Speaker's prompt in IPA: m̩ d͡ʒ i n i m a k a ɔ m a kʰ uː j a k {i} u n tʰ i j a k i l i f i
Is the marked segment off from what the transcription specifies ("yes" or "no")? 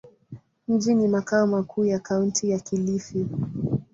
yes